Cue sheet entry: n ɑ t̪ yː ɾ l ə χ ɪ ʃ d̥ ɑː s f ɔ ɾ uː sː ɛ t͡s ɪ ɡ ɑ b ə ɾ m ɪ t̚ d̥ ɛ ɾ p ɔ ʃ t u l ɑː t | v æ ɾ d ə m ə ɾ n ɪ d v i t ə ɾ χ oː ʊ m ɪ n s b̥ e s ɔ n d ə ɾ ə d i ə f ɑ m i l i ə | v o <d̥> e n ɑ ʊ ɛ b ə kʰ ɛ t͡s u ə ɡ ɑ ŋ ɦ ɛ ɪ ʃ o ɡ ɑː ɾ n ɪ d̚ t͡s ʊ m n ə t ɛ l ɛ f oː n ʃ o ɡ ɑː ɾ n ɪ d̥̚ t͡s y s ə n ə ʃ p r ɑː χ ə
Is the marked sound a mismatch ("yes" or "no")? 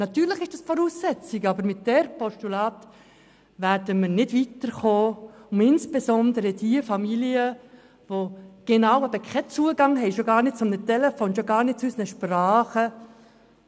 yes